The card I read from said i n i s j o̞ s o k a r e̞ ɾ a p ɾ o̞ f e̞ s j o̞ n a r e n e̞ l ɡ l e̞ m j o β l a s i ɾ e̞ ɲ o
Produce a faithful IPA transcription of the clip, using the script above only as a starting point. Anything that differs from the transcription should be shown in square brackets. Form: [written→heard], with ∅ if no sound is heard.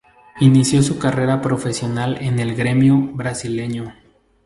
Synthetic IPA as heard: i n i s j o̞ s [o→u] k a r e̞ ɾ a p ɾ o̞ f e̞ s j o̞ n a [r→l] e n e̞ l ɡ [l→ɾ] e̞ m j o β [l→ɾ] a s i [ɾ→l] e̞ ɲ o